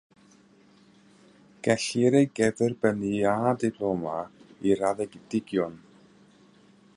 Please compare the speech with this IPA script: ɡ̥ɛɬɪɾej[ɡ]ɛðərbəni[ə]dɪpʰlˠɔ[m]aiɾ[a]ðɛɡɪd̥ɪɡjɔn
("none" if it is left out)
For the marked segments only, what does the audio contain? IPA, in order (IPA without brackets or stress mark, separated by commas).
ɡ, a, m, a